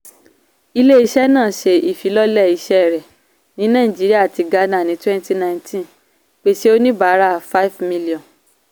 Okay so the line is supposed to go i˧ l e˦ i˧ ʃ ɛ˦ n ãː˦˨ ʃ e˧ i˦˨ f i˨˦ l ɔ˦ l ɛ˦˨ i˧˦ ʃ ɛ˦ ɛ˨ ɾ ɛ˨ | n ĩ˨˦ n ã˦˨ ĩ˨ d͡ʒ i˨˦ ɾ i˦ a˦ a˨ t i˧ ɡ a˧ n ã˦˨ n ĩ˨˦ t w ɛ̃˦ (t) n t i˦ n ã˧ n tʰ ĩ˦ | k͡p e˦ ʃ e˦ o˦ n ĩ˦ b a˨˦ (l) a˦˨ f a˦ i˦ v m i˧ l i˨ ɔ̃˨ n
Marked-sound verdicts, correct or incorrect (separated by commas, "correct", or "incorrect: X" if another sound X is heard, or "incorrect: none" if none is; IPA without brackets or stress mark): incorrect: none, incorrect: ɾ